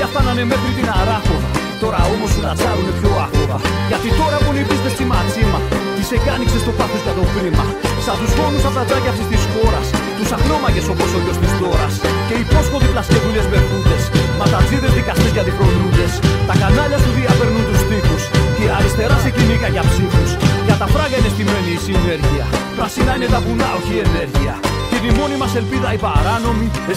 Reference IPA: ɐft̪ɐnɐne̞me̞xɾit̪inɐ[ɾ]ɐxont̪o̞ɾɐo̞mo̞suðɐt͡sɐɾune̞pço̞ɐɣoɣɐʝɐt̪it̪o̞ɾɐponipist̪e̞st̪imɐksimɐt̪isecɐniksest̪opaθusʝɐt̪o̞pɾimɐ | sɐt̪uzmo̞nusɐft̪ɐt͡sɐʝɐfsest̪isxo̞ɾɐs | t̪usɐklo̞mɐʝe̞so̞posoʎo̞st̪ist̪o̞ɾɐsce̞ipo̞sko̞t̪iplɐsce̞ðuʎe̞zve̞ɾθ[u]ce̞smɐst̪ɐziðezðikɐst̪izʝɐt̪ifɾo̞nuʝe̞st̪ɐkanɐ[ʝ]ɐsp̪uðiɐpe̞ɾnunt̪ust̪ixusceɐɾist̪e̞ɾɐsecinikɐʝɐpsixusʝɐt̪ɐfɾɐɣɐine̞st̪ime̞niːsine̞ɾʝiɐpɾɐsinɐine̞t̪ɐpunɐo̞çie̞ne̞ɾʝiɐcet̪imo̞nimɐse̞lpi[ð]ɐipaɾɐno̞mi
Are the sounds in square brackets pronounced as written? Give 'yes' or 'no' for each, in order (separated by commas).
yes, yes, no, yes